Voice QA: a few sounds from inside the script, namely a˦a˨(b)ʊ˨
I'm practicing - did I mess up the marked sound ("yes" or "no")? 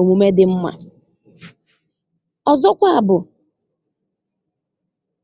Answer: no